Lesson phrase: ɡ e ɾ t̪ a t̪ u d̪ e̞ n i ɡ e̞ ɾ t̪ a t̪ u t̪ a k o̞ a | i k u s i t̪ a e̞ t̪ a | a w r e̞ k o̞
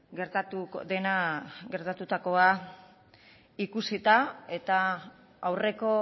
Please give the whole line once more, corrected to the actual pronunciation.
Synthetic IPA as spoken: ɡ e ɾ t̪ a t̪ u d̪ e̞ n a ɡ e̞ ɾ t̪ a t̪ u t̪ a k o̞ a | i k u s i t̪ a e̞ t̪ a | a w r e̞ k o̞